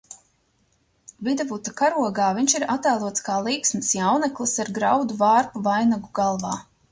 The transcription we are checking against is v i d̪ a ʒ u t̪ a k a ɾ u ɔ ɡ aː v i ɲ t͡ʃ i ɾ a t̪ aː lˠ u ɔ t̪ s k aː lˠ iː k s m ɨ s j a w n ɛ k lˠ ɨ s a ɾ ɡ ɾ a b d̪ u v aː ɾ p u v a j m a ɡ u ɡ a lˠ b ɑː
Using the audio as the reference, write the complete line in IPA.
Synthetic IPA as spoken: v i d̪ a v u t̪ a k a ɾ u ɔ ɡ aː v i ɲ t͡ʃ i ɾ a t̪ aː lˠ u ɔ t̪ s k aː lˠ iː k s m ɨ s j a w n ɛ k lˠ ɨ s a ɾ ɡ ɾ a w d̪ u v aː ɾ p u v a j n a ɡ u ɡ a lˠ v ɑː